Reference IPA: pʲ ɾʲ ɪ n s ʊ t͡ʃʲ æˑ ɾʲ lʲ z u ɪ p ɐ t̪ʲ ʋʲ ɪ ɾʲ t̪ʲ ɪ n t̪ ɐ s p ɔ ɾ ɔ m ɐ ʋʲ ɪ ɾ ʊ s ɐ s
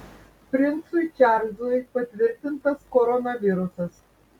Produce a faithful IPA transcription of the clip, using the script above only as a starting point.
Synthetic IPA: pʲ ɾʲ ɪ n s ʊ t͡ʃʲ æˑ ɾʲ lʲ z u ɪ p ɐ t̪ʲ ʋʲ ɪ ɾʲ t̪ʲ ɪ n t̪ ɐ s k ɔ ɾ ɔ n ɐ ʋʲ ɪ ɾ ʊ s ɐ s